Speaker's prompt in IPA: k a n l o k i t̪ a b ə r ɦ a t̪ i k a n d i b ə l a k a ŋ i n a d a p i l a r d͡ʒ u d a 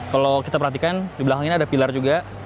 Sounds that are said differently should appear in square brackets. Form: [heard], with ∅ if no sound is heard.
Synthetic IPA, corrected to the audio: k a [∅] l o k i t̪ a [p] ə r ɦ a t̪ i k a n d i b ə l a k a ŋ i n a d a p i l a r d͡ʒ u [ɡ] a